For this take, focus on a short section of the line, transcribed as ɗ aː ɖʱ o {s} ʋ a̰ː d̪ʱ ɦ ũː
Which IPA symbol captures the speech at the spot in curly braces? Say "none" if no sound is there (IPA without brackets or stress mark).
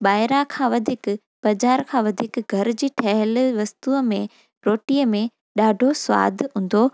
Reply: s